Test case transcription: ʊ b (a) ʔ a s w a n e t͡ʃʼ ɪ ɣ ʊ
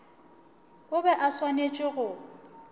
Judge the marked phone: incorrect: ɛ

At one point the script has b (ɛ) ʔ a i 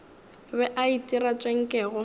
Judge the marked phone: correct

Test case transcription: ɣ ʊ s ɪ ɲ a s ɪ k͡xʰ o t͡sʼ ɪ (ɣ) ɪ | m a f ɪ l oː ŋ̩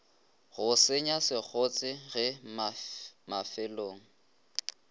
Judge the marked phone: correct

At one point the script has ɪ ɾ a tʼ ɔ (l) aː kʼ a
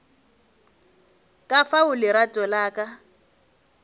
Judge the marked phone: correct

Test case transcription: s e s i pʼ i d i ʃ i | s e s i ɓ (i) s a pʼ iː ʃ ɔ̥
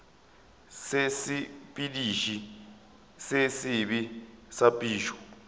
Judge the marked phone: correct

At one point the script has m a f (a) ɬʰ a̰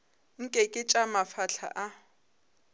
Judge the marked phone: correct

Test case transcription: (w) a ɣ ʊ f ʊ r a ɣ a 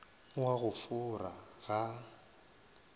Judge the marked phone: correct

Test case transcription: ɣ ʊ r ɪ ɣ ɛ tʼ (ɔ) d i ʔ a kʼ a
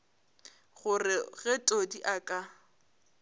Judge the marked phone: incorrect: o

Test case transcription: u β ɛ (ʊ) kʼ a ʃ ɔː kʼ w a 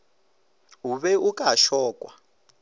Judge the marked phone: incorrect: u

